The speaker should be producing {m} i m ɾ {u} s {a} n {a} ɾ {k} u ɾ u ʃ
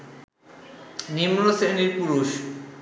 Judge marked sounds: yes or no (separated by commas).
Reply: no, no, no, no, no